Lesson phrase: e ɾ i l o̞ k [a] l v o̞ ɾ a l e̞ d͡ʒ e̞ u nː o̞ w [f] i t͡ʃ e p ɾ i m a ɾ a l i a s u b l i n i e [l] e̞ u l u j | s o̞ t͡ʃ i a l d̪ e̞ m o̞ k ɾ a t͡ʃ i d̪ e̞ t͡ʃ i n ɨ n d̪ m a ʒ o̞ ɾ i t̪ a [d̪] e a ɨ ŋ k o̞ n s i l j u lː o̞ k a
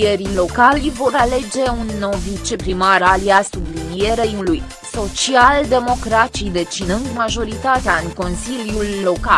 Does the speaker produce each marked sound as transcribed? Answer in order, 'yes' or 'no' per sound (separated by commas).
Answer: yes, no, no, no